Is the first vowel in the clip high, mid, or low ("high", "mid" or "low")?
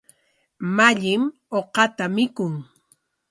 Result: low